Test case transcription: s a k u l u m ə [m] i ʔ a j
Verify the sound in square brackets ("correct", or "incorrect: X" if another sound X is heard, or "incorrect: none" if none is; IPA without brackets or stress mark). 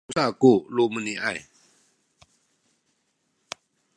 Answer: incorrect: n